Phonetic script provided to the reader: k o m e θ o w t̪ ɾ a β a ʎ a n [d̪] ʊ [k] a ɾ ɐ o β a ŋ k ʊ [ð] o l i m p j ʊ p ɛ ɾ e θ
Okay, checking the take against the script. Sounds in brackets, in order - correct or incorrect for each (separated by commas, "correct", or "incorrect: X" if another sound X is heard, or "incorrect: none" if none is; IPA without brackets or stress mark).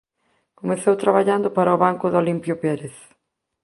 correct, incorrect: p, correct